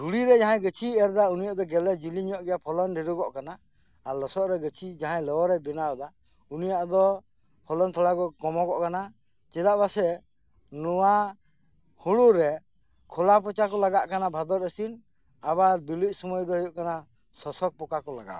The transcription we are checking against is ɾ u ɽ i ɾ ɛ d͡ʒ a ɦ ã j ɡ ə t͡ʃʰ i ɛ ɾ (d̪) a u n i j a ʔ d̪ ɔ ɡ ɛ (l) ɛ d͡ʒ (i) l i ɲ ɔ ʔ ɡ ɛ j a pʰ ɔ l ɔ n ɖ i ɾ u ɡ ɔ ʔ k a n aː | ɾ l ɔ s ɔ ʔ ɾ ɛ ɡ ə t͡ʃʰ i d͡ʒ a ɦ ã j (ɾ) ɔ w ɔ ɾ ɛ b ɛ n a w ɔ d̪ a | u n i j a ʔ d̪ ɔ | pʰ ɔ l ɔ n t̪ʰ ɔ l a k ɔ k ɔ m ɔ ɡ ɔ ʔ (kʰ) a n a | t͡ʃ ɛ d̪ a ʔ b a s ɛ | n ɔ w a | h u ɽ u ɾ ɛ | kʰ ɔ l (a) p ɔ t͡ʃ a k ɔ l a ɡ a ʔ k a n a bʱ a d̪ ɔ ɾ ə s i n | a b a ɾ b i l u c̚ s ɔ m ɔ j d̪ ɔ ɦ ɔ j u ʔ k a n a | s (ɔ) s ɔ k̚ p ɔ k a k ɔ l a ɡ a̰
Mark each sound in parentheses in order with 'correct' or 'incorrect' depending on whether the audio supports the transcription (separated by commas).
correct, correct, correct, incorrect, incorrect, correct, correct